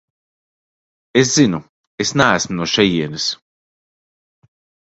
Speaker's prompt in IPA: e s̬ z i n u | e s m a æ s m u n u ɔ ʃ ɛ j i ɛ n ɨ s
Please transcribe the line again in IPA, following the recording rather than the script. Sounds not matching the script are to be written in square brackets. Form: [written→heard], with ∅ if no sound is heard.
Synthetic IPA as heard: e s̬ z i n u | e s [m→n] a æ s m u n u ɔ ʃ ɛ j i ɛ n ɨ s